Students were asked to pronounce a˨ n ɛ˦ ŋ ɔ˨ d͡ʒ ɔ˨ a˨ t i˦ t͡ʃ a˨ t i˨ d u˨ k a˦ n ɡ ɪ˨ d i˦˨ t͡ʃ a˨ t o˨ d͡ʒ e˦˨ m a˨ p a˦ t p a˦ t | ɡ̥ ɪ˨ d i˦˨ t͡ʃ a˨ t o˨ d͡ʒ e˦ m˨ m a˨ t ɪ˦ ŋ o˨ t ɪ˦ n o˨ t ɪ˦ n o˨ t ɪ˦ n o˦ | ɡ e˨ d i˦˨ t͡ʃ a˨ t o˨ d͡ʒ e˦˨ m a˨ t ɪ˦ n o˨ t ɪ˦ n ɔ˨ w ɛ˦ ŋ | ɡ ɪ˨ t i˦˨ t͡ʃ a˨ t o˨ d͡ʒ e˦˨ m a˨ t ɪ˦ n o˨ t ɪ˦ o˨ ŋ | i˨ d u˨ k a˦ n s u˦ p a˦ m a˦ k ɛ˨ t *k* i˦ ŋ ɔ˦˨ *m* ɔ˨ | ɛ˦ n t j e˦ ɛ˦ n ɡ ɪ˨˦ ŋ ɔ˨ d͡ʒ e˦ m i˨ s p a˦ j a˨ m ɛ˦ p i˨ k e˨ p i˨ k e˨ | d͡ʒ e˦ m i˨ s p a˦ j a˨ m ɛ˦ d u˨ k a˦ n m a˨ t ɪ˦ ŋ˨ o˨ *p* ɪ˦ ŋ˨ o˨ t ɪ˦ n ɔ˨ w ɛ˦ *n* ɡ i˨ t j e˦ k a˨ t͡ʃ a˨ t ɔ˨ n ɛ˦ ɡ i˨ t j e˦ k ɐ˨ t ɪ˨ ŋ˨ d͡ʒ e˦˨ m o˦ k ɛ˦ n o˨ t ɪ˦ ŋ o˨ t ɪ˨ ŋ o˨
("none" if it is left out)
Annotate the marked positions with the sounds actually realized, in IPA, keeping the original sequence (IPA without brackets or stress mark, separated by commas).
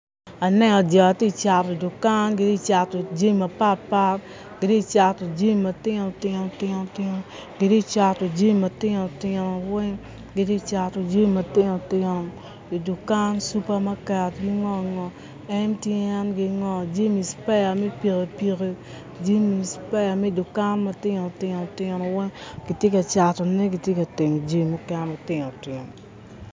ɡ, ŋ, t, ŋ